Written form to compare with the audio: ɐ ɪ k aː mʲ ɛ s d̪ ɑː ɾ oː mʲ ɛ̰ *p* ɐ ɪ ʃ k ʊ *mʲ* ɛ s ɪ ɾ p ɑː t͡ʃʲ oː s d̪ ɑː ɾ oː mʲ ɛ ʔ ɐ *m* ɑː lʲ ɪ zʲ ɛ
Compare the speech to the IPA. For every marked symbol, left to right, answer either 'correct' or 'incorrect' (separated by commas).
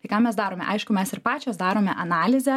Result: incorrect, correct, incorrect